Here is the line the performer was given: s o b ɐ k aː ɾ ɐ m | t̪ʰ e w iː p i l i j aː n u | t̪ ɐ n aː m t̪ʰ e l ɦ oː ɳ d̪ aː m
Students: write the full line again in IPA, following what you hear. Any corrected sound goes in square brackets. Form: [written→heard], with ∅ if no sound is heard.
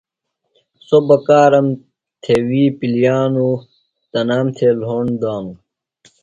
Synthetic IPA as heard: s o b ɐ k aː ɾ ɐ m | t̪ʰ e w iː p i l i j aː n u | t̪ ɐ n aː m t̪ʰ e l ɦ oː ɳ d̪ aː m